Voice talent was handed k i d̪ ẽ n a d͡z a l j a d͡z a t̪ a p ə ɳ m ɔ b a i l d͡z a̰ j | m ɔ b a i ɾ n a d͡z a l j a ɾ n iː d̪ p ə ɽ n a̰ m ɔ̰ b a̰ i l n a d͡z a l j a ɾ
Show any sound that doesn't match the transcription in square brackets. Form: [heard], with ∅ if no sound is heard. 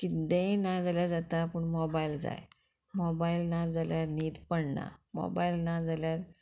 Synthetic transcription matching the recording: k i d̪ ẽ n a d͡z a l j a d͡z a t̪ a p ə ɳ m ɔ b a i l d͡z a̰ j | m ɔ b a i [l] n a d͡z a l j a ɾ n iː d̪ p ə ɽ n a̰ m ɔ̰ b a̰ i l n a d͡z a l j a ɾ